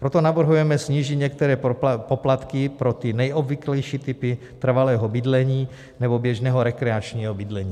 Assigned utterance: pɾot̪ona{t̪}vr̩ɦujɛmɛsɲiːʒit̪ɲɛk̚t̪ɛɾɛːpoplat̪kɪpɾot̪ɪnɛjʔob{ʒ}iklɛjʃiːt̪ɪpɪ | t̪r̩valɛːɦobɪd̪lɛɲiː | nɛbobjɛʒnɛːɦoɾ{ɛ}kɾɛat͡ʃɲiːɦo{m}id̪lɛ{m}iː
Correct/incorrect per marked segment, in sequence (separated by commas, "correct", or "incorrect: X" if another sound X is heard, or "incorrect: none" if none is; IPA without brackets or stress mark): incorrect: none, incorrect: v, correct, incorrect: b, incorrect: ɲ